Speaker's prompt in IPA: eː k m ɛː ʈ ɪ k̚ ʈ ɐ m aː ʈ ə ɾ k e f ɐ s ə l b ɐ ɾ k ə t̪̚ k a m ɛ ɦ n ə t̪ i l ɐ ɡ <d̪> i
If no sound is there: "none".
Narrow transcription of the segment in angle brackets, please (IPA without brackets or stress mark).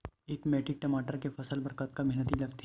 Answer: t̪